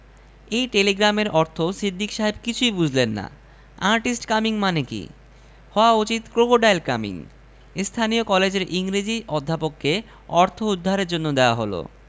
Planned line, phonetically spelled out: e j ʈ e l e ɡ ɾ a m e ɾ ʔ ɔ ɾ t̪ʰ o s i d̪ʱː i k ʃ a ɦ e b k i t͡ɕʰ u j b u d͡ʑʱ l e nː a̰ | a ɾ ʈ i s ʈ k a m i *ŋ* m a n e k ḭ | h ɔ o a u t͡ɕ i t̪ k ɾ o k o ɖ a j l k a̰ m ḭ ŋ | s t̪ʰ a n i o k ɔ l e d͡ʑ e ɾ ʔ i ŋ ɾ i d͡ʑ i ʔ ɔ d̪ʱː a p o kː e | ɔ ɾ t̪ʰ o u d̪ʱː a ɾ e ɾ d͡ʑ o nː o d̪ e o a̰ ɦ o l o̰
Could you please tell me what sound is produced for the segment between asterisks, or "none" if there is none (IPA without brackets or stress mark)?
ŋ